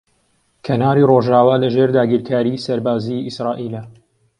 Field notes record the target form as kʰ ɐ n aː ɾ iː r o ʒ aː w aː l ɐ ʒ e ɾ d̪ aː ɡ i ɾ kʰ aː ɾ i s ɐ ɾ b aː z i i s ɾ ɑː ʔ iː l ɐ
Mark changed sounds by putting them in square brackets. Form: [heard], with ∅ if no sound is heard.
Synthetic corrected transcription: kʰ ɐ n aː ɾ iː r o ʒ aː w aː l ɐ ʒ e ɾ d̪ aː ɡ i ɾ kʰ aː ɾ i s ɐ ɾ b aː z i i s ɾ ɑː ʔ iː l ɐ